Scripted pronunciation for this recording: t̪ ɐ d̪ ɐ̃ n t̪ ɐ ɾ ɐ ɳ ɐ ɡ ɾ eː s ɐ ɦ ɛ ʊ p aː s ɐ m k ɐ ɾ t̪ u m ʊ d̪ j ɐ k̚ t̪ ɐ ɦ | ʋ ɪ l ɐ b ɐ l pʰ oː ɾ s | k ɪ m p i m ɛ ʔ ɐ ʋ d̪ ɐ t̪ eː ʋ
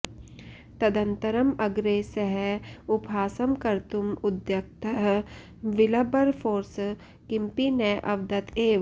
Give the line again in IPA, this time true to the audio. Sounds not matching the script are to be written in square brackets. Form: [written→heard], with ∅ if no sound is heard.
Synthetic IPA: t̪ ɐ d̪ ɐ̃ n t̪ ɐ ɾ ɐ [ɳ→m] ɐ ɡ ɾ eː s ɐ ɦ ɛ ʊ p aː s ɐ m k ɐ ɾ t̪ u m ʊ d̪ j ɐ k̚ t̪ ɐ ɦ | ʋ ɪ l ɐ b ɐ [l→ɾ] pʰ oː ɾ s | k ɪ m p i [m→n] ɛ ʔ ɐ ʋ d̪ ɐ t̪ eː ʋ